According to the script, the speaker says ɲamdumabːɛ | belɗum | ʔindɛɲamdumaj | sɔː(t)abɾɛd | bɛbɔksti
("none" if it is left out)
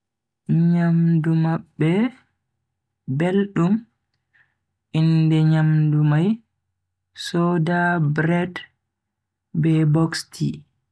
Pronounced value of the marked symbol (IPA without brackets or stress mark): d